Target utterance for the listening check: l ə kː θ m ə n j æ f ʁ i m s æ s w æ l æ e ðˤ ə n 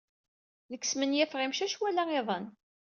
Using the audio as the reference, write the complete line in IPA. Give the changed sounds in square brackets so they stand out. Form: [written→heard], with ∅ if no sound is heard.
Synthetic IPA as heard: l ə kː [θ→s] m ə n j æ f ʁ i m [s→ʃ] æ [s→ʃ] w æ l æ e ðˤ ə n